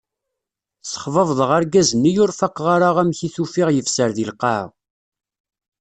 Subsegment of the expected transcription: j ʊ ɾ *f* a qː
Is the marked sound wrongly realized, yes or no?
no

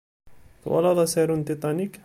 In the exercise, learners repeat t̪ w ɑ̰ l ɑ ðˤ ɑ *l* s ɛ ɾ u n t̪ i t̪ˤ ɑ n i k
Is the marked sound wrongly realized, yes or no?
yes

